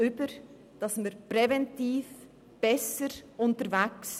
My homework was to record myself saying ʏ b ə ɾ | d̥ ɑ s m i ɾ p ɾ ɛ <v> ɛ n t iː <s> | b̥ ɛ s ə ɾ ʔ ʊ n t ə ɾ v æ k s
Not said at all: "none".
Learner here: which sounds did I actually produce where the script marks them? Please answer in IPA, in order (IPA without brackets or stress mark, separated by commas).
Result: v, f